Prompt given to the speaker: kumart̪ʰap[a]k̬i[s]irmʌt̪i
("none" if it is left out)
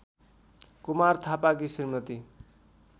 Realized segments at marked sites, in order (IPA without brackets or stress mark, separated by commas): a, s